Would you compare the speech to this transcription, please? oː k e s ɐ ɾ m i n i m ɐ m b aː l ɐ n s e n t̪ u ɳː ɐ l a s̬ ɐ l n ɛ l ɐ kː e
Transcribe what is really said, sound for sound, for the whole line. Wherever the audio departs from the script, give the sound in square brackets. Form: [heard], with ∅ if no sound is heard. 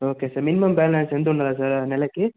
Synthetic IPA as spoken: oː k e s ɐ ɾ m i n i m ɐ m b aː l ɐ n s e n [d̪] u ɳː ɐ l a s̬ ɐ [ɾ] n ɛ l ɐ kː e